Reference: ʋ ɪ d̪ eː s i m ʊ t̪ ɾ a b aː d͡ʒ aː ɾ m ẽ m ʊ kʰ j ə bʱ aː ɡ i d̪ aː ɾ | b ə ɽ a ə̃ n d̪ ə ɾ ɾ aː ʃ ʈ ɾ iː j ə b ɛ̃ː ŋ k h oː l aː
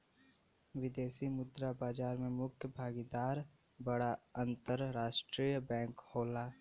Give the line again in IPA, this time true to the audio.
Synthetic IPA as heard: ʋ ɪ d̪ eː s i m ʊ d̪ ɾ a b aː d͡ʒ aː ɾ m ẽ m ʊ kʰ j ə bʱ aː ɡ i d̪ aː ɾ | b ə ɽ a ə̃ n t̪ ə ɾ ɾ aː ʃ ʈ ɾ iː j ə b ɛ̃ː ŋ k h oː l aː